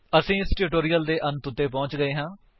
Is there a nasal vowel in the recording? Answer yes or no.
yes